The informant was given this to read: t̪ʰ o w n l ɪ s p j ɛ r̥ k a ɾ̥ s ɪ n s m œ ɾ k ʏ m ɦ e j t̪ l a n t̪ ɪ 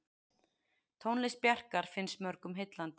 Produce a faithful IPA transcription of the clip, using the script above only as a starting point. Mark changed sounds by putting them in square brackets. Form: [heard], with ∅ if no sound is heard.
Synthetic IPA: t̪ʰ o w n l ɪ s p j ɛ r̥ k a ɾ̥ [f] ɪ n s m œ ɾ k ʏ m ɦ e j t̪ l a n t̪ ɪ